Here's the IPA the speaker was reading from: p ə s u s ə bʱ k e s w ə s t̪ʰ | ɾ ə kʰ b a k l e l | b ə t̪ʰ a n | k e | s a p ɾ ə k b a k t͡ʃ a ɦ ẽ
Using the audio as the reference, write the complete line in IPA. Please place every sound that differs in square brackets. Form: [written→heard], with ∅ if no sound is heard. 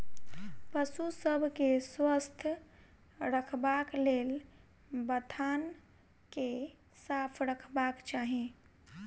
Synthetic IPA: p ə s u s ə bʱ k e s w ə s t̪ʰ | ɾ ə kʰ b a k l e l | b ə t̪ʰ a n | k e | s a [p→pʰ] ɾ ə [k→kʰ] b a k t͡ʃ a ɦ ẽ

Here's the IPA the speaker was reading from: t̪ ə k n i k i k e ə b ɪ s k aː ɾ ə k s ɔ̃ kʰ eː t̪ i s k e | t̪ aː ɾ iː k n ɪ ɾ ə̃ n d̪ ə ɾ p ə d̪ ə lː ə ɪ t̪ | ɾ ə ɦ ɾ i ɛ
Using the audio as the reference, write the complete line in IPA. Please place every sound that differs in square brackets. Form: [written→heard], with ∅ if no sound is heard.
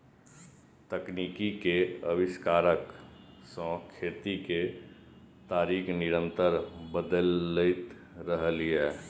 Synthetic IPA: t̪ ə k n i k i k e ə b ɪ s k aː ɾ ə k s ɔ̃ kʰ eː t̪ i [s→∅] k e | t̪ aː ɾ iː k n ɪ ɾ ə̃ n [d̪→t̪] ə ɾ [p→b] ə d̪ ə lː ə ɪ t̪ | ɾ ə ɦ [ɾ→l] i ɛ

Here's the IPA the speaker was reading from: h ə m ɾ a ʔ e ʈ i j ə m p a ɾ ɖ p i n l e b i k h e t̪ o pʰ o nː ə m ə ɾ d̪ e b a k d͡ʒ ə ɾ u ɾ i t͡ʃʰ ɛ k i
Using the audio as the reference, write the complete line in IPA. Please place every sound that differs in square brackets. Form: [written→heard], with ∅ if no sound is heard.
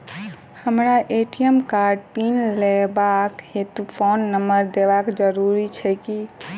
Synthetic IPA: h ə m ɾ a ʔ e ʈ i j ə m [p→k] a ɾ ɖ p i n l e b [i→a] k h e t̪ [o→u] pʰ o nː ə m ə ɾ d̪ e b a k d͡ʒ ə ɾ u ɾ i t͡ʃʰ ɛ k i

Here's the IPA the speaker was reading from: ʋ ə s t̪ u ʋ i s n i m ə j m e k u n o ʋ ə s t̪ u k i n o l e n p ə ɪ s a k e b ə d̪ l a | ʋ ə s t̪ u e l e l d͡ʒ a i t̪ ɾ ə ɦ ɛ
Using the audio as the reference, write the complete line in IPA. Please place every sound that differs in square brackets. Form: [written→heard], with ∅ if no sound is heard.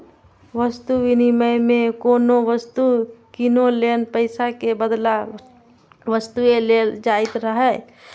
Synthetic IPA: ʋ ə s t̪ u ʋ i [s→∅] n i m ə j m e k [u→o] n o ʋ ə s t̪ u k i n o l e n p ə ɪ s a k e b ə d̪ l a | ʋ ə s t̪ u e l e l d͡ʒ a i t̪ ɾ ə ɦ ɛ

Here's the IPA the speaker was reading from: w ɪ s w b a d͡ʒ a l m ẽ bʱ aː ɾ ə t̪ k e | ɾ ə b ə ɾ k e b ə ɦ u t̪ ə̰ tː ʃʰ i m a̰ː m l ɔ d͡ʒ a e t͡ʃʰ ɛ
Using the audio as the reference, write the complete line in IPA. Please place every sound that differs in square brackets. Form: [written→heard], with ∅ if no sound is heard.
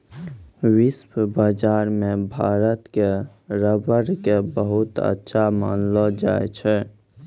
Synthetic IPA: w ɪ s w b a d͡ʒ a [l→ɾ] m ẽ bʱ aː ɾ ə t̪ k e | ɾ ə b ə ɾ k e b ə ɦ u t̪ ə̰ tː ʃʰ [i→a] m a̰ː [m→n] l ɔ d͡ʒ a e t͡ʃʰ ɛ

